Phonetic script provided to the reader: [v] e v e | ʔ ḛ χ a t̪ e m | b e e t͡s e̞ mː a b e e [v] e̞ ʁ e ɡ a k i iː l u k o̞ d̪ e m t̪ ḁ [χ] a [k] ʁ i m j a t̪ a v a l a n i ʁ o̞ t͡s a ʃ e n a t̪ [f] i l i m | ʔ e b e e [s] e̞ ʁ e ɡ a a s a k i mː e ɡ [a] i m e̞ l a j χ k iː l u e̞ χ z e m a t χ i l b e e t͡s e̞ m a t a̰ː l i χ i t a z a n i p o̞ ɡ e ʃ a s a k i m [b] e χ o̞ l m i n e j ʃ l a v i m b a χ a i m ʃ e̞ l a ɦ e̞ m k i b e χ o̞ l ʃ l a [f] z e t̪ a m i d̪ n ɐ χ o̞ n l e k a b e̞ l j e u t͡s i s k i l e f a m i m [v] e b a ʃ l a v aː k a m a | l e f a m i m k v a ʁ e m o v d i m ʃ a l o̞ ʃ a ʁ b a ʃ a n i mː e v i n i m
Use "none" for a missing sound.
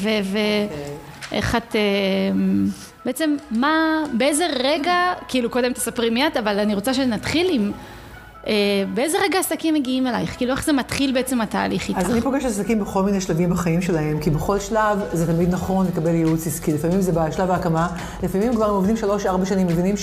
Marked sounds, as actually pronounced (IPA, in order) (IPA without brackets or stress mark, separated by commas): v, z, s, p, χ, z, i, b, v, z